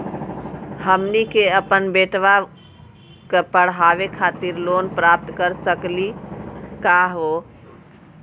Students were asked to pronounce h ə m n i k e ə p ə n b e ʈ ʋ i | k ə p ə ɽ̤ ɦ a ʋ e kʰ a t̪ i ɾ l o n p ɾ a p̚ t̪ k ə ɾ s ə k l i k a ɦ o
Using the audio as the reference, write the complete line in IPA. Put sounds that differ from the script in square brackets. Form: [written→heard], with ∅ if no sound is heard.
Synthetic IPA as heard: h ə m n i k e ə p ə n b e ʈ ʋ [i→a] | k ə p ə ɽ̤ ɦ a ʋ e kʰ a t̪ i ɾ l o n p ɾ a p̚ t̪ k ə ɾ s ə k l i k a ɦ o